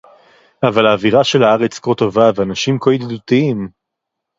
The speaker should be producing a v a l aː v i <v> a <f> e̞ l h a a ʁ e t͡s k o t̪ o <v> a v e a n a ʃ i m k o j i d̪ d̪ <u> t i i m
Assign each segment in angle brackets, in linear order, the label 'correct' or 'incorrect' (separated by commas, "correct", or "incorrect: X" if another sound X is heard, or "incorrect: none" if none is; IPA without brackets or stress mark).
incorrect: ʁ, incorrect: ʃ, correct, correct